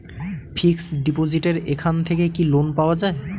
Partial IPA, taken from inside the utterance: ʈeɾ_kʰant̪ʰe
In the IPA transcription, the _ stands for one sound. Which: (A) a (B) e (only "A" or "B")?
B